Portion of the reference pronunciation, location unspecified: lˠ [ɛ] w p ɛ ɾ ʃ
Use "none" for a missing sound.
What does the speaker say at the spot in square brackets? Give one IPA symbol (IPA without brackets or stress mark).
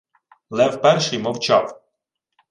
ɛ